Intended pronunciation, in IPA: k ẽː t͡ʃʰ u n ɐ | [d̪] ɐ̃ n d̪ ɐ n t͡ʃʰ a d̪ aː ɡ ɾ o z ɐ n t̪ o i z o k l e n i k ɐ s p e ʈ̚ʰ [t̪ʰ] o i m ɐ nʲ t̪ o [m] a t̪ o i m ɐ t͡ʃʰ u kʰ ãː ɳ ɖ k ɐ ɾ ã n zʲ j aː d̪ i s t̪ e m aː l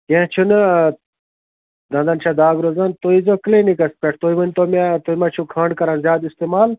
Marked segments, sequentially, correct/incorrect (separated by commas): correct, incorrect, correct